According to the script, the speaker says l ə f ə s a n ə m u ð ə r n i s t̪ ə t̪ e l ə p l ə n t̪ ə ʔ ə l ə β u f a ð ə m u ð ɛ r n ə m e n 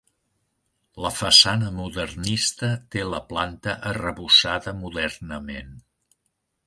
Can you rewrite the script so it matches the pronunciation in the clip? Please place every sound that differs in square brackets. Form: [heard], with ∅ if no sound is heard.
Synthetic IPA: l ə f ə s a n ə m u ð ə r n i s t̪ ə t̪ e l ə p l [a] n t̪ ə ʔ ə [r] ə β u [s] a ð ə m u ð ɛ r n ə m e n